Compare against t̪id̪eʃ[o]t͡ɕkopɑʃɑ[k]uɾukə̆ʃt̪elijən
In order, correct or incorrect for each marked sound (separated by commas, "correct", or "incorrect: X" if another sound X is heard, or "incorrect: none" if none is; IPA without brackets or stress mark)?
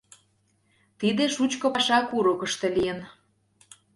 incorrect: u, correct